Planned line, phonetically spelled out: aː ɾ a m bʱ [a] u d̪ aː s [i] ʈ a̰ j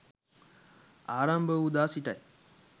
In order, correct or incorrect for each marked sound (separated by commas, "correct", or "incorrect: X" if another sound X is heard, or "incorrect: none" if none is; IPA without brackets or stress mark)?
incorrect: ə, correct